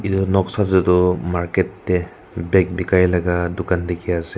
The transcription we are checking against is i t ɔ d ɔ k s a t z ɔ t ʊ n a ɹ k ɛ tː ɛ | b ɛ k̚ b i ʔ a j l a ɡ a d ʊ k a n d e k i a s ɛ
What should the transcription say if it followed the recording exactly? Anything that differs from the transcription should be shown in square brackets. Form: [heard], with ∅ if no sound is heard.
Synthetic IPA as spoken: i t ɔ [n] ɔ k s a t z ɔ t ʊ [m] a ɹ k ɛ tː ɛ | b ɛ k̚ b i [k] a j l a ɡ a d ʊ k a n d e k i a s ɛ